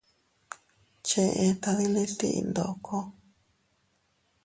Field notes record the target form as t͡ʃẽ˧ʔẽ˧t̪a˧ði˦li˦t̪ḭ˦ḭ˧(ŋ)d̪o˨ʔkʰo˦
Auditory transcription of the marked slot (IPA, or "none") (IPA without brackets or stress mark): n